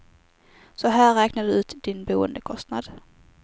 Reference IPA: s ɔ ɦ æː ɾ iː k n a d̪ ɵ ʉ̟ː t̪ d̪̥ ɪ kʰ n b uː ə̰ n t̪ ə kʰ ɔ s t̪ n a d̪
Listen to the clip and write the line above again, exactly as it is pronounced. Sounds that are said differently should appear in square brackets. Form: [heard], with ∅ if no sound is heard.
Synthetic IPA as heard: s ɔ ɦ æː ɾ [ɛː] k n a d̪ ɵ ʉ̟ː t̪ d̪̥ ɪ [∅] n b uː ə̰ n [d̪] ə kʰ ɔ s t̪ n a d̪